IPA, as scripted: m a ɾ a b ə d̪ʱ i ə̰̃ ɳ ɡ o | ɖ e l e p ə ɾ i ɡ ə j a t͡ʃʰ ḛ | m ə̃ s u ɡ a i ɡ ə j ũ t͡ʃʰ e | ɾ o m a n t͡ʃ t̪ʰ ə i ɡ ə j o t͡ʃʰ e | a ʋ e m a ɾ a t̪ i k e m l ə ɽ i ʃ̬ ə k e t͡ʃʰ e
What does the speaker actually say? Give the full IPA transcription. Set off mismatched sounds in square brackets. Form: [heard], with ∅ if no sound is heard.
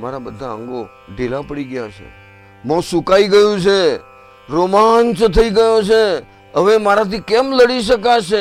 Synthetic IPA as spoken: m a ɾ a b ə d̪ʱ [a] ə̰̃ [ŋ] ɡ o | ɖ e l [a] p ə [ɽ] i ɡ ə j a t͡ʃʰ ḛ | m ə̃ s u [k] a i ɡ ə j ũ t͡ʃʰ e | ɾ o m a n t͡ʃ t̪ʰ ə i ɡ ə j o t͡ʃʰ e | [ə] ʋ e m a ɾ a t̪ i k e m l ə ɽ i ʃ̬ ə k [a] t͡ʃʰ e